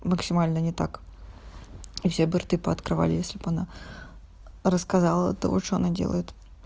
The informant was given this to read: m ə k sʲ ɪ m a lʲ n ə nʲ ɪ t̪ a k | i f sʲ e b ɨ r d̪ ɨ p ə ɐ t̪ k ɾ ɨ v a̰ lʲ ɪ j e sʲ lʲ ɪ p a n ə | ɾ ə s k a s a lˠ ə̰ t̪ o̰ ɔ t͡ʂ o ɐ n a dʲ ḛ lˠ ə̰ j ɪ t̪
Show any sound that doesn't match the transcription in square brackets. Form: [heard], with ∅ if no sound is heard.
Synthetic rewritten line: m ə k sʲ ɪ m a lʲ n ə nʲ ɪ t̪ a k | i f sʲ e b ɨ r [t̪] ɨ p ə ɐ t̪ k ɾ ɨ v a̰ lʲ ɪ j e sʲ lʲ ɪ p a n [a] | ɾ ə s k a [z] a lˠ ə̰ t̪ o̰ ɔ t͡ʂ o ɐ n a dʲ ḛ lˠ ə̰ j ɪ t̪